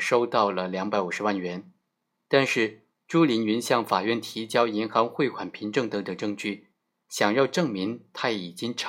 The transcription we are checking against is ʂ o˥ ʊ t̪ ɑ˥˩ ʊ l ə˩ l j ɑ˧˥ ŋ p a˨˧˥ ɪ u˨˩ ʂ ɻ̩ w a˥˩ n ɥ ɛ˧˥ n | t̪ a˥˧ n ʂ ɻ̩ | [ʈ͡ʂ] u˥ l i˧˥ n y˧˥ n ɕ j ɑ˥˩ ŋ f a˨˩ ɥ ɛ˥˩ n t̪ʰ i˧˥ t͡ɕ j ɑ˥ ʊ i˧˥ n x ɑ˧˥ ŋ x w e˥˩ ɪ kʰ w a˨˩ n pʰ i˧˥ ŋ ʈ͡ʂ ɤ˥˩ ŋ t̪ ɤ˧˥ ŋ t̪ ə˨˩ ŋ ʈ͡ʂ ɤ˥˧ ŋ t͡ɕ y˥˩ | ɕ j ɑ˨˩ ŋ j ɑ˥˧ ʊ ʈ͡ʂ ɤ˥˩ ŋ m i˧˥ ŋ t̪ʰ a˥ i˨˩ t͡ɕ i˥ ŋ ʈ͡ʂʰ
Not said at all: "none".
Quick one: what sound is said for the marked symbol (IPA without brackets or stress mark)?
ʈ͡ʂ